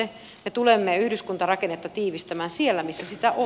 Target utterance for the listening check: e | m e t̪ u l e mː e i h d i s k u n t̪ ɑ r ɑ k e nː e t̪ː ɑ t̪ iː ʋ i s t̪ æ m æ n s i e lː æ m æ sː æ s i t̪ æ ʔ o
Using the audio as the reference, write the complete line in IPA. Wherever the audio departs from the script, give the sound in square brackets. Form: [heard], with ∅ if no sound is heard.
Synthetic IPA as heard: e | m e t̪ u l e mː e [y] h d [y] s k u n t̪ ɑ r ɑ k e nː e t̪ː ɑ t̪ iː ʋ i s t̪ æ m [æː] n s i e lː æ m [i] sː æ s i t̪ æ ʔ o